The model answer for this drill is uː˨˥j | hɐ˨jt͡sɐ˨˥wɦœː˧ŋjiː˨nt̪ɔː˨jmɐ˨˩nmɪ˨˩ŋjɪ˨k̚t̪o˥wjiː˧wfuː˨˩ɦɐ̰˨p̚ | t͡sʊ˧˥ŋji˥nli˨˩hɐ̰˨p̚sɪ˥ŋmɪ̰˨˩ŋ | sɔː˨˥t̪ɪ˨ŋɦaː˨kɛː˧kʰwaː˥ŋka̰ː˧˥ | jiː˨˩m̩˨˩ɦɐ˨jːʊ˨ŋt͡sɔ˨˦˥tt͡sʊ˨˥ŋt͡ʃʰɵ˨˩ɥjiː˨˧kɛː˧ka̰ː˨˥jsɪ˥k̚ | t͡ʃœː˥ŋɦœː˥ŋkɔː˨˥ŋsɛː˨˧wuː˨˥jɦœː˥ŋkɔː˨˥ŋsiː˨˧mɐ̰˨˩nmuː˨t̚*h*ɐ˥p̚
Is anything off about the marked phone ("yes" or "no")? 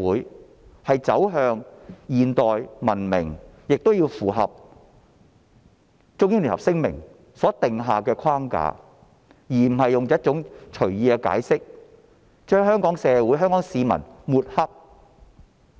no